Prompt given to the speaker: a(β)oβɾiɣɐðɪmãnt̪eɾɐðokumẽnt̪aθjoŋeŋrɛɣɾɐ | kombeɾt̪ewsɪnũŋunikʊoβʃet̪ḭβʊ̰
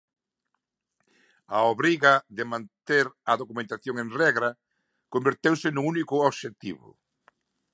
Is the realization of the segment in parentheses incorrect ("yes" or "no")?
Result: yes